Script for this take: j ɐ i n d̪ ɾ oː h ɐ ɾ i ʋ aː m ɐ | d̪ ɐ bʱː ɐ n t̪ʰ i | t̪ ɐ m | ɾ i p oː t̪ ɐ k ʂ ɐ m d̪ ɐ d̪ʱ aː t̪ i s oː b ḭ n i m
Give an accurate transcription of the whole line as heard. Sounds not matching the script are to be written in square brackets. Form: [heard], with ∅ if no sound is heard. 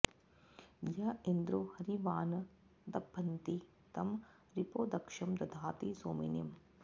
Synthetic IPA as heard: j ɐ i n d̪ ɾ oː h ɐ ɾ i ʋ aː [n] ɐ | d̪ ɐ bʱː ɐ n [t̪] i | t̪ ɐ m | ɾ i p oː [d̪] ɐ k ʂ ɐ m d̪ ɐ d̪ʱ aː t̪ i s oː [m] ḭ n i m